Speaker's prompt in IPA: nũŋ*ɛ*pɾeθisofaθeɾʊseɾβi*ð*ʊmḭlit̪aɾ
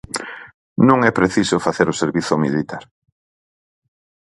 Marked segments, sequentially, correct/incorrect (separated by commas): correct, incorrect